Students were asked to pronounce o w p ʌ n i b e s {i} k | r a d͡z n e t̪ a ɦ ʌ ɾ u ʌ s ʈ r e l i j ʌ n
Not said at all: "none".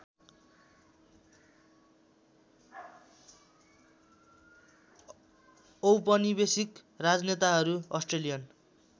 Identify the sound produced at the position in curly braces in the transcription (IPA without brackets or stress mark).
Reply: i